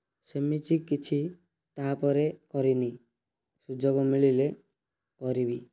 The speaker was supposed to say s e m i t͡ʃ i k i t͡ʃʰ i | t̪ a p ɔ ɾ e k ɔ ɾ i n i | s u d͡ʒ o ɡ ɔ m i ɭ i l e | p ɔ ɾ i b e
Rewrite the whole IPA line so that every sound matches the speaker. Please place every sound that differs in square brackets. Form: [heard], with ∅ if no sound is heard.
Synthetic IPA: s e m i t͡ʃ i k i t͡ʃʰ i | t̪ a p ɔ ɾ e k ɔ ɾ i n i | s u d͡ʒ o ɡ ɔ m i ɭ i l e | [k] ɔ ɾ i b [i]